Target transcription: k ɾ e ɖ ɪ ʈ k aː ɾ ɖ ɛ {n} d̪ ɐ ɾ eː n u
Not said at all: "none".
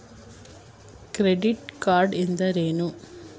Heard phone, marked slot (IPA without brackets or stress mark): n